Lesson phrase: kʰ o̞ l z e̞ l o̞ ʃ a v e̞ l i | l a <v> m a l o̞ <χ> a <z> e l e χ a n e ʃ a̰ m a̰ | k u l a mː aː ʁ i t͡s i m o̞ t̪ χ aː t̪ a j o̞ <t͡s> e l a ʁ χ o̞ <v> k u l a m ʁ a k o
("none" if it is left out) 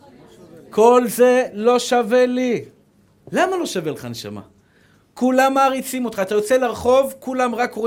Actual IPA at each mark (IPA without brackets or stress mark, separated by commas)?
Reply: none, ʃ, v, t͡s, v